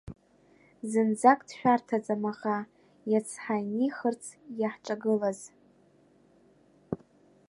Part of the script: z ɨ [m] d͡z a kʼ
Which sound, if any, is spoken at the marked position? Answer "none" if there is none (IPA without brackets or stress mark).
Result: n